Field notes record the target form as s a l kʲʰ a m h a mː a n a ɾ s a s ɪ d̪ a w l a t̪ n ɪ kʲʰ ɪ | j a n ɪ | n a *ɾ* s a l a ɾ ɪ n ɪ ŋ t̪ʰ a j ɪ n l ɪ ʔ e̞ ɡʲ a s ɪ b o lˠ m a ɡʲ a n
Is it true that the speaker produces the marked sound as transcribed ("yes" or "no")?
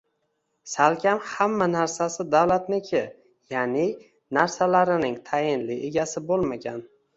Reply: yes